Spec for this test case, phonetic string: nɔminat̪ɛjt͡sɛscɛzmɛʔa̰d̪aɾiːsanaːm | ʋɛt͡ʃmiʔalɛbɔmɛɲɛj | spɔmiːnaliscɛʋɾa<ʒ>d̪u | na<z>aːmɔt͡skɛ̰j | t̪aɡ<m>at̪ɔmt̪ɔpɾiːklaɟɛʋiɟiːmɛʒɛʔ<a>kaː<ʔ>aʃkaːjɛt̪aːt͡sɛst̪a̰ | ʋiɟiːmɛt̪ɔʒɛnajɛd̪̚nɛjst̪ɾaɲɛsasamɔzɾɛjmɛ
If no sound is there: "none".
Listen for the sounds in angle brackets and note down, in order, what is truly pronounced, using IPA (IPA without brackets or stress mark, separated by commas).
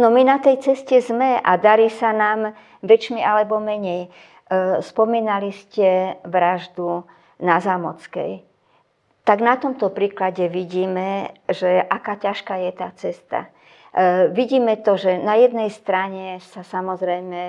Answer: ʒ, z, n, a, c